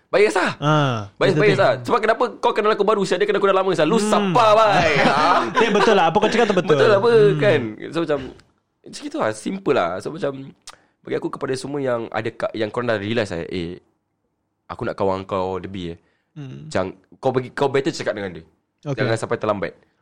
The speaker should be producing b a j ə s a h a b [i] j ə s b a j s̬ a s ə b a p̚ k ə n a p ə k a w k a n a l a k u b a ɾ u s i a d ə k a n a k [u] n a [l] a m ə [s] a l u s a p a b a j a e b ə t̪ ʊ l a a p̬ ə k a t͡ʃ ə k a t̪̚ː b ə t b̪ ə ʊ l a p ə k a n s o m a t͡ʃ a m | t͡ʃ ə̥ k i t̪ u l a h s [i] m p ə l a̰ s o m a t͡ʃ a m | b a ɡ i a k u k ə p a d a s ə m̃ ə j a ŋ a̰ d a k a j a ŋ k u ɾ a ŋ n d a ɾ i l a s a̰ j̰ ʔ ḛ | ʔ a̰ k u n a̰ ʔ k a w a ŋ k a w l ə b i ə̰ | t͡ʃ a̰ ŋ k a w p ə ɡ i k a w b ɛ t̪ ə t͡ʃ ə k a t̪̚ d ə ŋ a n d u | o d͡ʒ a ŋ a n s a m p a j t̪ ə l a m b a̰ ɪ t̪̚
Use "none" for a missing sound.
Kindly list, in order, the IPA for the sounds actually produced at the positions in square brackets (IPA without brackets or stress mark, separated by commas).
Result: a, u, l, s, i